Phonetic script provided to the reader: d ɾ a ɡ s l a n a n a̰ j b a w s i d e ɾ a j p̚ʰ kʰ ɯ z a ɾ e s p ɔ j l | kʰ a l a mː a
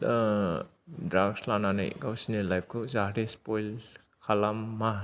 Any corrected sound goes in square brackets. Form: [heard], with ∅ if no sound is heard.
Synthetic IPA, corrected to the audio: d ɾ a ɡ s l a n a n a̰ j [ɡ] a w s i [n] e [l] a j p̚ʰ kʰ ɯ z a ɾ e s p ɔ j l | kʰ a l a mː a